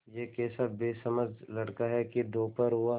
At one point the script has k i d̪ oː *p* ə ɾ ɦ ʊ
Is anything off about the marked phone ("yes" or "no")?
no